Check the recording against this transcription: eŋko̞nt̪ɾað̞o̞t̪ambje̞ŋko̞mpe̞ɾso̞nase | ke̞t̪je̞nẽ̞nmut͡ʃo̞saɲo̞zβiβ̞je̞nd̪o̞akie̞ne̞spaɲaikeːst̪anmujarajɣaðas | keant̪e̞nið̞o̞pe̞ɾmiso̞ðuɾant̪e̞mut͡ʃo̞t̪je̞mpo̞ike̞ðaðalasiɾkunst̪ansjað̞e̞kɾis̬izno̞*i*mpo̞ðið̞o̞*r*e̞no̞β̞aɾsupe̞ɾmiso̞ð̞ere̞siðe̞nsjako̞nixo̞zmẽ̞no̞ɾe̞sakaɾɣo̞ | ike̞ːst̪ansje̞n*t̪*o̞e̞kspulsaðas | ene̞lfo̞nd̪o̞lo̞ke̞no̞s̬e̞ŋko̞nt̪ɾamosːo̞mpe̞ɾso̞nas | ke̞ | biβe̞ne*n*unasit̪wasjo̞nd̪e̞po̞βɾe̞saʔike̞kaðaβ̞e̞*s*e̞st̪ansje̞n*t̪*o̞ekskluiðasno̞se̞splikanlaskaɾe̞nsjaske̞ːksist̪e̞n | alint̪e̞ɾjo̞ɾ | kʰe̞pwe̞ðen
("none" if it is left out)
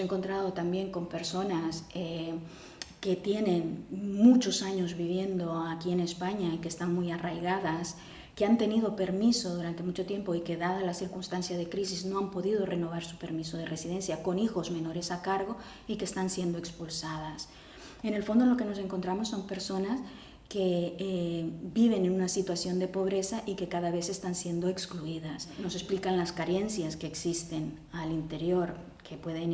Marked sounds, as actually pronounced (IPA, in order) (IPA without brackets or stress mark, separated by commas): a, r, d̪, n, s, d̪